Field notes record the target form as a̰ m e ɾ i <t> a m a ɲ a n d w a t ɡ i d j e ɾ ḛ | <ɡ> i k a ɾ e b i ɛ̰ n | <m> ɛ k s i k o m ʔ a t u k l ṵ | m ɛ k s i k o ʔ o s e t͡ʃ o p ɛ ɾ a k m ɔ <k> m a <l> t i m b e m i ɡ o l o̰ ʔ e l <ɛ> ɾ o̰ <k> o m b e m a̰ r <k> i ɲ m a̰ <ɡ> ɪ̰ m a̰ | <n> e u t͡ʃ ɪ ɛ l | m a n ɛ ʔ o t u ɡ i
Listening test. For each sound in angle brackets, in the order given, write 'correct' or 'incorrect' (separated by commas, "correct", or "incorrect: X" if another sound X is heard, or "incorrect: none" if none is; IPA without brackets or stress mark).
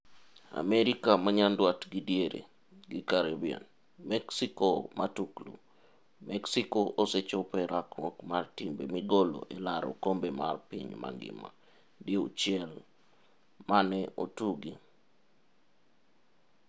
incorrect: k, correct, correct, correct, incorrect: r, incorrect: a, correct, incorrect: p, correct, incorrect: d